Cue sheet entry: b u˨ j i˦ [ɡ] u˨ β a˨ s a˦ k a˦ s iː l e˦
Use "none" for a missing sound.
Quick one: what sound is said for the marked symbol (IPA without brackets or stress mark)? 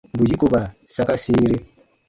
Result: k